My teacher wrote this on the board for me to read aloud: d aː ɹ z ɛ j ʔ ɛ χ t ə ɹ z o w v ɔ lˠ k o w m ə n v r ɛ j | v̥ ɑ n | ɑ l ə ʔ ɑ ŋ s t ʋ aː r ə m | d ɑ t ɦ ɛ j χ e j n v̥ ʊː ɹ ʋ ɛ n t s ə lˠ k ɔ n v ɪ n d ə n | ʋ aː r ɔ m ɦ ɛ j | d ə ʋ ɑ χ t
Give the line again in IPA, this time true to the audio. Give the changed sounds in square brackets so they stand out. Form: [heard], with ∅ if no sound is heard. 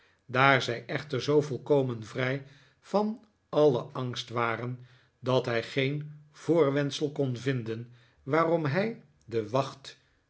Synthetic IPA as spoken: d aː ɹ z ɛ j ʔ ɛ χ t ə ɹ z o w v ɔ lˠ k o w m ə n v r ɛ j | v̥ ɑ n | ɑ l ə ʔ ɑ ŋ s t ʋ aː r ə [n] | d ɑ t ɦ ɛ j χ e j n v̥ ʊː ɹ ʋ ɛ n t s ə lˠ k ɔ n v ɪ n d ə n | ʋ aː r ɔ m ɦ ɛ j | d ə ʋ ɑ χ t